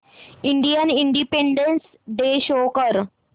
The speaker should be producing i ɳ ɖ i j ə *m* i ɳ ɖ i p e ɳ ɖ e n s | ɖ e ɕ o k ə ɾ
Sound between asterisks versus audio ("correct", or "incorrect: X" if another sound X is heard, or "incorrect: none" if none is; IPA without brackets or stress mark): incorrect: n